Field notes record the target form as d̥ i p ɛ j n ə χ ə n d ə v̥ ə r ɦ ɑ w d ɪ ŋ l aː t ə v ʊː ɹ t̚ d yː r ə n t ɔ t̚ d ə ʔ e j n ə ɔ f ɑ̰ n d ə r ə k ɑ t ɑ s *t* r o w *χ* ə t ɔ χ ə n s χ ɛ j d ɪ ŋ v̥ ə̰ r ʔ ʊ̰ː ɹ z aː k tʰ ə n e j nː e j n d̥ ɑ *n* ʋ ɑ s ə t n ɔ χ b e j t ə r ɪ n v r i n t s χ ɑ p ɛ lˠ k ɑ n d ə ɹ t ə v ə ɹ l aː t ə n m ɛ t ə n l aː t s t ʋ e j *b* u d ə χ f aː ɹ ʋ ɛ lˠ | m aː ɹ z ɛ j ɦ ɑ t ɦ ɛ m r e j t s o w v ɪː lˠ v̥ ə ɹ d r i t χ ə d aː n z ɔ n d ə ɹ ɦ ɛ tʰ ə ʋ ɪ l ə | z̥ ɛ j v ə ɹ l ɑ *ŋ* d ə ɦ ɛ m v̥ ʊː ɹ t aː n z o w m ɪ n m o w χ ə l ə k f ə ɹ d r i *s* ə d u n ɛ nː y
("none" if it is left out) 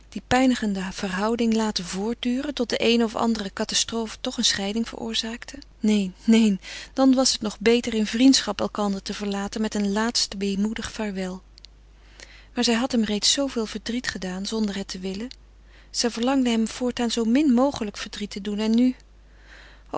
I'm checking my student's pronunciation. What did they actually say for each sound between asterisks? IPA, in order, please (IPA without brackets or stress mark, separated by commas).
t, f, n, m, ŋ, t